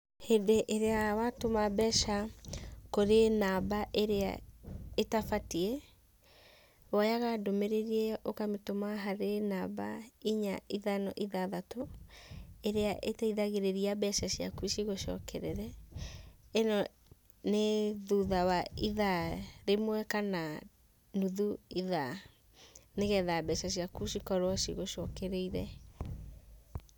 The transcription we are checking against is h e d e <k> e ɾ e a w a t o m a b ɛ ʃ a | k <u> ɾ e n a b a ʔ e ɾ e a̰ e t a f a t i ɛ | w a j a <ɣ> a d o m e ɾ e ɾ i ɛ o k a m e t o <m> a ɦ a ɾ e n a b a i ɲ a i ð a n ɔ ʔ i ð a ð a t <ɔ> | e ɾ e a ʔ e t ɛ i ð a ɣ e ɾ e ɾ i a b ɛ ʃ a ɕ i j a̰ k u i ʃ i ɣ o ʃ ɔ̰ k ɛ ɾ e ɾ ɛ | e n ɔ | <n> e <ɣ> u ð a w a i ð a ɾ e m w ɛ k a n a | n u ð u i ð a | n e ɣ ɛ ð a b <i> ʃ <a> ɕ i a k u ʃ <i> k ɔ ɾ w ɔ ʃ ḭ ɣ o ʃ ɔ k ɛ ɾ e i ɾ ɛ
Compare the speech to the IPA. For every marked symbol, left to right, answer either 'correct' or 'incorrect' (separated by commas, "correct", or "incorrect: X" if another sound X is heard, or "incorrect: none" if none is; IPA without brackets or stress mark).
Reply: incorrect: ʔ, incorrect: o, correct, correct, incorrect: o, correct, incorrect: ð, incorrect: ɛ, correct, correct